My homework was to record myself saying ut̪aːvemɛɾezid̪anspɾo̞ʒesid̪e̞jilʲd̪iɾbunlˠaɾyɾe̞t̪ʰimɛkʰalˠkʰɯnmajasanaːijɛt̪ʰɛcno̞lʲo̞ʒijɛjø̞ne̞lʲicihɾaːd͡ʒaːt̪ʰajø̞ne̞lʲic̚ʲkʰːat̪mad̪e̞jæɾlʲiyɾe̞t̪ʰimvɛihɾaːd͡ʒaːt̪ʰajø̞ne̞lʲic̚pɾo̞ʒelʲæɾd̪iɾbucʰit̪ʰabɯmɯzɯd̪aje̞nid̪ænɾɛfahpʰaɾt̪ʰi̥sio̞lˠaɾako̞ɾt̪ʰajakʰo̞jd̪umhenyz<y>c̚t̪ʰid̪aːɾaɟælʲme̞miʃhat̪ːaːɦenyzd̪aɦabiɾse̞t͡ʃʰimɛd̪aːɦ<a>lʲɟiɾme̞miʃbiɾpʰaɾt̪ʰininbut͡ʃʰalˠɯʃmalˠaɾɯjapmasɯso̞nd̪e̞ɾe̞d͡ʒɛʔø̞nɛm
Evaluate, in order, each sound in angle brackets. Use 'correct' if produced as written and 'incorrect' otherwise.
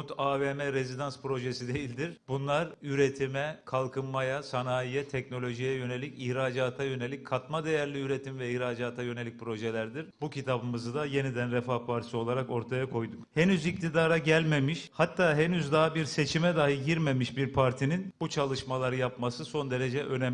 incorrect: i, incorrect: i

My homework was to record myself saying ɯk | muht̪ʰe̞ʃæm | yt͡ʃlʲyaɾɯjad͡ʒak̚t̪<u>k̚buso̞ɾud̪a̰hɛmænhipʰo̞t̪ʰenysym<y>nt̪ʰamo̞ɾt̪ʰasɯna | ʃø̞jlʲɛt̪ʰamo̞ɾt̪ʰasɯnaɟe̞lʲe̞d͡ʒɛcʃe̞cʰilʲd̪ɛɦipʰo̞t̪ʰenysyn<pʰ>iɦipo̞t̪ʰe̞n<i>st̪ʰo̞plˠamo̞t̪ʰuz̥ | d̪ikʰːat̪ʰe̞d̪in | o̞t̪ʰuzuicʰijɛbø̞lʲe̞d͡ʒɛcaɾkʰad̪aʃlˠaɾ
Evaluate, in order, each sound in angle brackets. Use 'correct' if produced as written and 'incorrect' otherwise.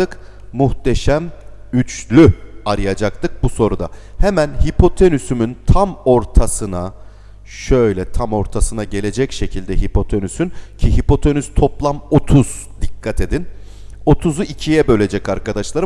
incorrect: ɯ, correct, incorrect: cʰ, incorrect: y

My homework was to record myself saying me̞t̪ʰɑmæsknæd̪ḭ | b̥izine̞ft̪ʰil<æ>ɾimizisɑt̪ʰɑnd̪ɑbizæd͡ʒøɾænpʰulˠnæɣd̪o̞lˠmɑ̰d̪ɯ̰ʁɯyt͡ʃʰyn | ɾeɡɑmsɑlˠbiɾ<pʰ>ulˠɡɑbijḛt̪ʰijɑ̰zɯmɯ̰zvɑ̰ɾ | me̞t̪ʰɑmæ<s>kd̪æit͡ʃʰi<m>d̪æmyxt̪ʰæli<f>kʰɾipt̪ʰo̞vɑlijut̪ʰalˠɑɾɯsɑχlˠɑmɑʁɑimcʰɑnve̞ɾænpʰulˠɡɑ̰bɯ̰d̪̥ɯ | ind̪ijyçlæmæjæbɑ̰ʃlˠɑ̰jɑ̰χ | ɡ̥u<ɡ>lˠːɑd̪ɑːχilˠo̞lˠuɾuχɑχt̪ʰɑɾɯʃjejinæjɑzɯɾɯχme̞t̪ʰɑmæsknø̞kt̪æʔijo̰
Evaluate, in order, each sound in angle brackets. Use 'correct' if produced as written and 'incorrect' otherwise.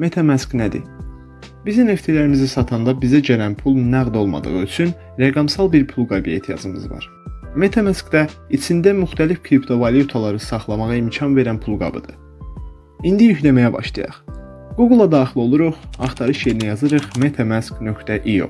correct, correct, correct, incorrect: n, correct, correct

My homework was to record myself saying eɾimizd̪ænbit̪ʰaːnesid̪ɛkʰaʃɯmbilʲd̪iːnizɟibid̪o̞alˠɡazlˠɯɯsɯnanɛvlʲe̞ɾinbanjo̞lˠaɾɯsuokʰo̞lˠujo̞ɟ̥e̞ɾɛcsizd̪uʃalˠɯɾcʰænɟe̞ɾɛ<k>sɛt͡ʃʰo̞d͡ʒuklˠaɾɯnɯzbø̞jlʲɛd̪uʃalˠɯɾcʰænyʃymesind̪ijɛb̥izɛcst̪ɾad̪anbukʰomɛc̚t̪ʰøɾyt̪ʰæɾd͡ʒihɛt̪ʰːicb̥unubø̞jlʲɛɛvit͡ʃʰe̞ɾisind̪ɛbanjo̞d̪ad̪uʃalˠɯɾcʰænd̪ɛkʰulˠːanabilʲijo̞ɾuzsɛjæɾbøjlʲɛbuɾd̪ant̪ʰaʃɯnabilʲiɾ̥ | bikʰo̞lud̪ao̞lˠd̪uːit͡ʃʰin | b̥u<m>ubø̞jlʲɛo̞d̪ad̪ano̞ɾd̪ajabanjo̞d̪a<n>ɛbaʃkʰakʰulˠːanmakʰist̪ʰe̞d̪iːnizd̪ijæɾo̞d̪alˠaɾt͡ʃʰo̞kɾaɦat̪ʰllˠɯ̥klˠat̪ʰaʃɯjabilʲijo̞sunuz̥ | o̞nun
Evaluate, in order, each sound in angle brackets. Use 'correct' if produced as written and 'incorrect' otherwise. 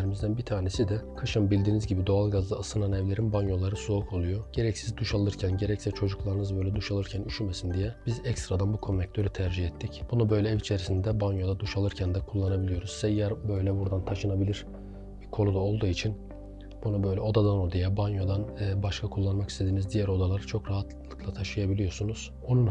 incorrect: c, incorrect: n, correct

